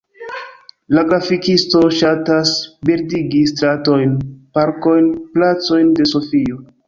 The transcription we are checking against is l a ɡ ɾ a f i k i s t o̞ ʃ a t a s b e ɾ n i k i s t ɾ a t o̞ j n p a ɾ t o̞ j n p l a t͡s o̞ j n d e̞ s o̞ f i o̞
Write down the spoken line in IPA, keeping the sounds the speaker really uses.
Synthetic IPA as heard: l a ɡ ɾ a f i k i s t o̞ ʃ a t a s b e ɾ d i ɡ i s t ɾ a t o̞ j n p a ɾ k o̞ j n p l a t͡s o̞ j n d e̞ s o̞ f i o̞